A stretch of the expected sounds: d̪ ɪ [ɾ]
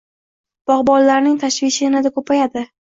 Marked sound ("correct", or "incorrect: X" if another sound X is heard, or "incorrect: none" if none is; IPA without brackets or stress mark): incorrect: none